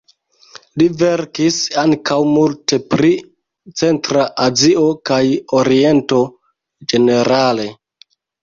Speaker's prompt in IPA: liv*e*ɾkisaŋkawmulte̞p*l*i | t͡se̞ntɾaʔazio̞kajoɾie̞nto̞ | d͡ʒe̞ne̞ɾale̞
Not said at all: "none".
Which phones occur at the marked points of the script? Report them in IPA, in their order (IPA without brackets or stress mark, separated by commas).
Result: e, ɾ